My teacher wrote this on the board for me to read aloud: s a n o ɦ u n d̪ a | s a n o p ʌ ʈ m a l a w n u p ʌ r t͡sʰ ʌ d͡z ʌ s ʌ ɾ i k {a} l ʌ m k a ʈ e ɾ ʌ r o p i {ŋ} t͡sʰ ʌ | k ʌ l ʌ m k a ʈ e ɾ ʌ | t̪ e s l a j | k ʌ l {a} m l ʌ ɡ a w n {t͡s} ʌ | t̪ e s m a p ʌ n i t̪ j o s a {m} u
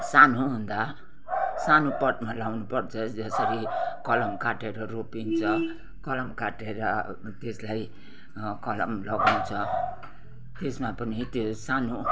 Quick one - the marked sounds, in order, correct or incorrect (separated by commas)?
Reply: incorrect, incorrect, incorrect, incorrect, incorrect